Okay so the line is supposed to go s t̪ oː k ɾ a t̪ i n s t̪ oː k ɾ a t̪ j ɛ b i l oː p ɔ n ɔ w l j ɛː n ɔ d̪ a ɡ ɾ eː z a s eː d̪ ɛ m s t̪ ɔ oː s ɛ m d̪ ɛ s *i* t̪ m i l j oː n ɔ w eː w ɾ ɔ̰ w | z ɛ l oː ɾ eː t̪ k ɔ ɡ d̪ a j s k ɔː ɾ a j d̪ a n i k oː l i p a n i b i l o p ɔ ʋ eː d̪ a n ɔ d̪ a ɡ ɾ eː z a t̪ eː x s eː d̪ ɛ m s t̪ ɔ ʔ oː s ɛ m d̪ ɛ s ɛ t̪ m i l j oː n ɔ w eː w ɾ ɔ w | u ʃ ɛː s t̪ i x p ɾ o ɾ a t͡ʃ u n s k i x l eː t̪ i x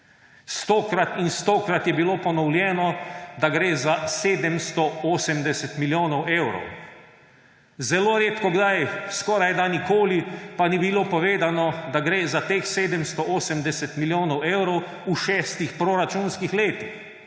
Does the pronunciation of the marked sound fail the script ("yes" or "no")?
yes